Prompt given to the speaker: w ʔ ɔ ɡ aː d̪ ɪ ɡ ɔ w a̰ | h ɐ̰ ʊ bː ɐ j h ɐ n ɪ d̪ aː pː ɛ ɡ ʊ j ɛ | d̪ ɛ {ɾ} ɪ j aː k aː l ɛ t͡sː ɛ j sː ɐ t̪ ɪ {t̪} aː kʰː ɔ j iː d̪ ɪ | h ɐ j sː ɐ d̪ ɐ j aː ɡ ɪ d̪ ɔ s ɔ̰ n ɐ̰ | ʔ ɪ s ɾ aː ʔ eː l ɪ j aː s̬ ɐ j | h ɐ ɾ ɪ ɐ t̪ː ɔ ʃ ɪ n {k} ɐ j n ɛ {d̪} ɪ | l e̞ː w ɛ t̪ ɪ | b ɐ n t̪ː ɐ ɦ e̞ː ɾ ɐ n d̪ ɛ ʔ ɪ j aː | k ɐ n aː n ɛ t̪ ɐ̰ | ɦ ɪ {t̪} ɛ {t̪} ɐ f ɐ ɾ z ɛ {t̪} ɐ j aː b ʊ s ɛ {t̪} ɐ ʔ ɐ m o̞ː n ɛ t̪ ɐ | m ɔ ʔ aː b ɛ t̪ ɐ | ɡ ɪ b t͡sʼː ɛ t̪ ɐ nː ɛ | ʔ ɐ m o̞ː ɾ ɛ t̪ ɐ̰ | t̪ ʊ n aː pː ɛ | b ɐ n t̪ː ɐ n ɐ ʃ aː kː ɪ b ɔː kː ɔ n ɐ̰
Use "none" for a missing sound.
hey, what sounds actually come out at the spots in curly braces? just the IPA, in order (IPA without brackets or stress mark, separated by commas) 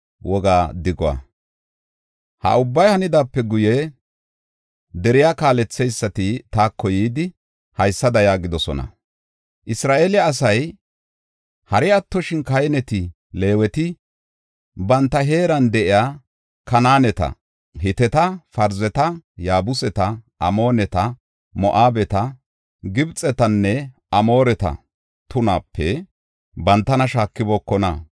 ɾ, t̪, k, t̪, t̪, t̪, t̪, t̪